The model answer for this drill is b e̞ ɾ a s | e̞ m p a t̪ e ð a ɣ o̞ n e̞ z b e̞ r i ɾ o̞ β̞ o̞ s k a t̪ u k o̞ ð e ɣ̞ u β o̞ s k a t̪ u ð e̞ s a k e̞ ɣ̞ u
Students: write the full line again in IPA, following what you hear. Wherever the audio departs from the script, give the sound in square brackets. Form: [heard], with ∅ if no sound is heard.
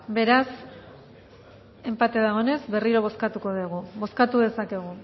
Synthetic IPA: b e̞ ɾ a s | e̞ m p a t̪ e ð a ɣ o̞ n e̞ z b e̞ r i ɾ o̞ β̞ o̞ s k a t̪ u k o̞ ð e ɣ̞ u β o̞ s k a t̪ u ð e̞ s a k e̞ ɣ̞ u